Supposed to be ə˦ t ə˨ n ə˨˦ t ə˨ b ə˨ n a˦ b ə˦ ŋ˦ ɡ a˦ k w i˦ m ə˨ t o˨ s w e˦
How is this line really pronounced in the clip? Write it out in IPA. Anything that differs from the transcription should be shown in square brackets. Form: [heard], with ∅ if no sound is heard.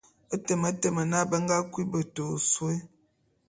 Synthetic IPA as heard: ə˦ t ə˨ [m] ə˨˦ t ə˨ [m] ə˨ n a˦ b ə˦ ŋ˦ ɡ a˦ k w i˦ [b] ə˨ t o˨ s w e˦